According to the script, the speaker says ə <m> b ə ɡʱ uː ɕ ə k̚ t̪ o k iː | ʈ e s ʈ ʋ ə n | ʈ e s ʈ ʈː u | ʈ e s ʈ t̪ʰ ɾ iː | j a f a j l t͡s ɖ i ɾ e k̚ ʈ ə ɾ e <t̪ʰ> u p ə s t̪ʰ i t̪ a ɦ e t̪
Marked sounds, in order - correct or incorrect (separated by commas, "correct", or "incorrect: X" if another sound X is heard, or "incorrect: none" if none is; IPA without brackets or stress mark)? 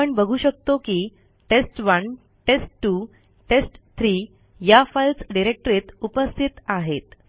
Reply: incorrect: ɳ, incorrect: t̪